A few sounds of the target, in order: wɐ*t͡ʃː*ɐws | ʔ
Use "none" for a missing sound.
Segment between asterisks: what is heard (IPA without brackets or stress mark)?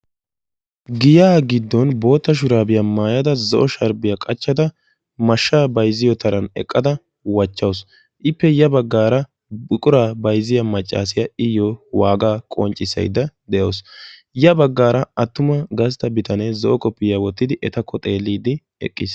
t͡ʃː